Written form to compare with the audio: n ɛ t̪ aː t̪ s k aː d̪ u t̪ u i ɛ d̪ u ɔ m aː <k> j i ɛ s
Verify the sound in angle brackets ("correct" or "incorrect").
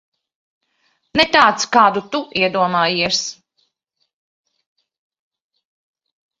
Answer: incorrect